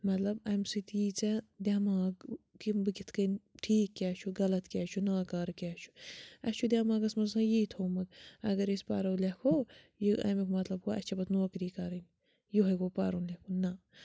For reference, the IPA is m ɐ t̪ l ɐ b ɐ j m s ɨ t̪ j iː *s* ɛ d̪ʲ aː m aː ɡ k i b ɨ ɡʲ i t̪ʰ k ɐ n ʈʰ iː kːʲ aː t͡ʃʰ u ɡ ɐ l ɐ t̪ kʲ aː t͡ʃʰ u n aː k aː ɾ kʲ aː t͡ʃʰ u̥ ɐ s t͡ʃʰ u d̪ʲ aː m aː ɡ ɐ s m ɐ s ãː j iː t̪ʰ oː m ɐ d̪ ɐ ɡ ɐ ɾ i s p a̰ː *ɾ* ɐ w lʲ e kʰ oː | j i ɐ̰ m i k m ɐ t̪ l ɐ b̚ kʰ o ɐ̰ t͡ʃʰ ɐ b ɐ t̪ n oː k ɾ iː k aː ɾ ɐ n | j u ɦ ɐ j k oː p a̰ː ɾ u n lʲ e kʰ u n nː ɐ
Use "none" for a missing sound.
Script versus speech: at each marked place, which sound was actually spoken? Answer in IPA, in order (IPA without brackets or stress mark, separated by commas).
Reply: t͡s, ɾ